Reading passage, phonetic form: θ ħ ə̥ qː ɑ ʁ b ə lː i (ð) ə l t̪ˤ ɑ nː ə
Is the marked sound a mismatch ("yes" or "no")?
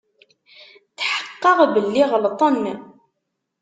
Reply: yes